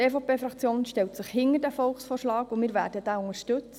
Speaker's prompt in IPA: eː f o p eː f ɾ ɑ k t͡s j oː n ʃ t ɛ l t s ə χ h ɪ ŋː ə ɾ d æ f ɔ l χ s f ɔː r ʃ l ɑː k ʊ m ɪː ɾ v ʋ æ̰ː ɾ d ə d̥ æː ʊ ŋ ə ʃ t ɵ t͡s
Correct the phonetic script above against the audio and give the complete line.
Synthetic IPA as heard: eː f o p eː f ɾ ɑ k t͡s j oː n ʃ t ɛ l t s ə χ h ɪ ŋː ə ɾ d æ f ɔ l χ s f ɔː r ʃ l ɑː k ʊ m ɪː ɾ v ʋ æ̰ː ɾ d ə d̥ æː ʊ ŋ ə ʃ t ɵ t͡s